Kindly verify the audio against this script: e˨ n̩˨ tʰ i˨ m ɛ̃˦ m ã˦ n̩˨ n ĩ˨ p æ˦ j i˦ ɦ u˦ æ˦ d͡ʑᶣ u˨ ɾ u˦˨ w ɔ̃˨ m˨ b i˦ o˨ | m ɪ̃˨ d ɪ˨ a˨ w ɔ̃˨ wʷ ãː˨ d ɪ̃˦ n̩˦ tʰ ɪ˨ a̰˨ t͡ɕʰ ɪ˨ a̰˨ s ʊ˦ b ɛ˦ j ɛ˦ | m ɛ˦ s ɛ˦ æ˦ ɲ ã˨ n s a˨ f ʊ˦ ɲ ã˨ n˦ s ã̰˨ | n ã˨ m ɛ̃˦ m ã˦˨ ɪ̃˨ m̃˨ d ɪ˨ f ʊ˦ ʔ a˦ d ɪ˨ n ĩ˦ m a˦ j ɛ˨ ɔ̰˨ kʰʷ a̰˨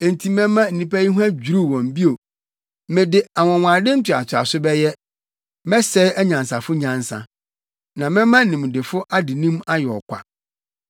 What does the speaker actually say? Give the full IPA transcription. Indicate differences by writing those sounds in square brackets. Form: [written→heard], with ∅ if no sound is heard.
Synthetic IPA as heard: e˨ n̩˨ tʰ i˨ m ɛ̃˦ m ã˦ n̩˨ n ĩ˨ p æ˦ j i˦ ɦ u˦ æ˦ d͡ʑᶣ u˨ ɾ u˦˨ w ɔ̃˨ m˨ b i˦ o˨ | m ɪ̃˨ d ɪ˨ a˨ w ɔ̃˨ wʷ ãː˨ d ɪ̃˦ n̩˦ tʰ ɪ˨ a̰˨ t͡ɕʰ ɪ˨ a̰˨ s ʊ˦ b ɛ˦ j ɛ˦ | m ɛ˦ s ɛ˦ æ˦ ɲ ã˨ n s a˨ f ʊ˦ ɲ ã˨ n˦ s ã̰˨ | n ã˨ m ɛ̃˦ m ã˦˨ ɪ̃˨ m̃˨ d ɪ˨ f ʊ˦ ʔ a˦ d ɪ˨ n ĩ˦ m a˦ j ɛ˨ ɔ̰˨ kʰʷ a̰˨

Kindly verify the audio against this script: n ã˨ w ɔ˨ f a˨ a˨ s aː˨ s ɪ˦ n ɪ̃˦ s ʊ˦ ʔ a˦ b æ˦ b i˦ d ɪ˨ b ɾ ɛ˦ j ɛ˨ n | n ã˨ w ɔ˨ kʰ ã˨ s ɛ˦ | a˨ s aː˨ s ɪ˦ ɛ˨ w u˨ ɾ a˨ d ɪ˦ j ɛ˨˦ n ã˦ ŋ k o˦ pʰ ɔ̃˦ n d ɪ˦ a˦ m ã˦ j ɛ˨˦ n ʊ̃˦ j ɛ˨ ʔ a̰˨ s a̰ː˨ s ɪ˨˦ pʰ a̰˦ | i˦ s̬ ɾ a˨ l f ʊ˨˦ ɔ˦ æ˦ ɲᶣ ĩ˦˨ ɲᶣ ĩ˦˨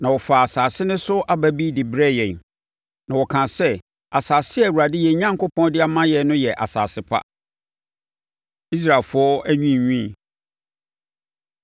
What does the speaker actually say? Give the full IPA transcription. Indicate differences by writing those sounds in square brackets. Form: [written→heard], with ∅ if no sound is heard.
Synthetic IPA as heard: n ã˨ w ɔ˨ f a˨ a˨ s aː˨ s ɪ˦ n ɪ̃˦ s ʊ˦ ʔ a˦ b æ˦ b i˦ d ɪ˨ b ɾ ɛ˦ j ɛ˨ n | n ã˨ w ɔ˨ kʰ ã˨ s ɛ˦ | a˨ s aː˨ s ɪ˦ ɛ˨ w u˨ ɾ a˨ d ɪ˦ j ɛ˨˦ [n→ɲ] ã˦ ŋ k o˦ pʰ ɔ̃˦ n d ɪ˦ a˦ m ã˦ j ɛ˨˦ n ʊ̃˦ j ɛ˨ ʔ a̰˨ s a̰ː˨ s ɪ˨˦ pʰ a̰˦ | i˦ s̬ ɾ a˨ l f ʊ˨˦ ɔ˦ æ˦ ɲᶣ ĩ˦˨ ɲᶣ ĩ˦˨

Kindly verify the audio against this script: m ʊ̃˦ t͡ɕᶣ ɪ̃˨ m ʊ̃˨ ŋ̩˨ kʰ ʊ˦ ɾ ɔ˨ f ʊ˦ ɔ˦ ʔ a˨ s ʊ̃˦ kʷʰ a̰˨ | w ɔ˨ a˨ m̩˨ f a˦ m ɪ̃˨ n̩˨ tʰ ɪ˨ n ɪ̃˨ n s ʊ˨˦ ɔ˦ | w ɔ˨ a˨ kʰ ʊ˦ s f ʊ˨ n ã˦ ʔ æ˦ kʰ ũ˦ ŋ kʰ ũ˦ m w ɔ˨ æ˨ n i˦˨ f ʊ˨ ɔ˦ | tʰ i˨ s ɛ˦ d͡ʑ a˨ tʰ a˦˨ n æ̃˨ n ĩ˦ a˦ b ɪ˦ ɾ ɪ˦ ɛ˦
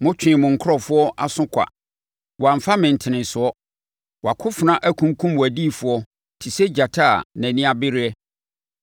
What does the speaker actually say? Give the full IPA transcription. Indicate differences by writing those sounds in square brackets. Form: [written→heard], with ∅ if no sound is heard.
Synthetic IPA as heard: m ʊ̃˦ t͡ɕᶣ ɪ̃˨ m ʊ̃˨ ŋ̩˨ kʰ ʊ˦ ɾ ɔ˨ f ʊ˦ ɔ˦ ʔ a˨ s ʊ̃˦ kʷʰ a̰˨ | w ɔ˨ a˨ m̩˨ f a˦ m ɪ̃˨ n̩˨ tʰ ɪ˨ n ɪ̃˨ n s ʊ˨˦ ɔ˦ | w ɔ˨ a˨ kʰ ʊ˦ [s→∅] f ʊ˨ n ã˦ ʔ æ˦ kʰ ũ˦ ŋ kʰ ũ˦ m w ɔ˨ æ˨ [n→d] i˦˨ f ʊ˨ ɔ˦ | tʰ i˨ s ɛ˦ d͡ʑ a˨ tʰ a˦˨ n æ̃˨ n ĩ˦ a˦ b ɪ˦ ɾ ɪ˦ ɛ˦

